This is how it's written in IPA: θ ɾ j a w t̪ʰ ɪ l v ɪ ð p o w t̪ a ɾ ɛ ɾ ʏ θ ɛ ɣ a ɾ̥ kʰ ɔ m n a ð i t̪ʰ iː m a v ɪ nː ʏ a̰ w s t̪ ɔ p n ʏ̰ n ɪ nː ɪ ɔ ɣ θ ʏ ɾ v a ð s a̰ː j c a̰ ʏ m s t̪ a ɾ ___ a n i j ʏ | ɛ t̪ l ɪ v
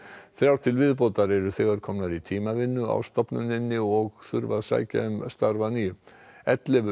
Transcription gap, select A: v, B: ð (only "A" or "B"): A